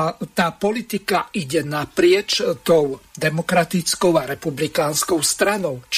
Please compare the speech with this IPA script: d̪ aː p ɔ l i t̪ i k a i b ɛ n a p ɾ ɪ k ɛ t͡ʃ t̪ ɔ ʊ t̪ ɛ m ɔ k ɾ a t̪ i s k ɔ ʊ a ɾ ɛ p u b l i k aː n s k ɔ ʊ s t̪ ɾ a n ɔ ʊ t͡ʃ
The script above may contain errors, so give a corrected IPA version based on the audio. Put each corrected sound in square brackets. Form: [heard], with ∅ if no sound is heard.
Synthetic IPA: [t̪] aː p ɔ l i t̪ i k a i [ɟ] ɛ n a p ɾ ɪ [∅] ɛ t͡ʃ t̪ ɔ ʊ [d̪] ɛ m ɔ k ɾ a t̪ i [t͡s] k ɔ ʊ a ɾ ɛ p u b l i k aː n s k ɔ ʊ s t̪ ɾ a n ɔ ʊ t͡ʃ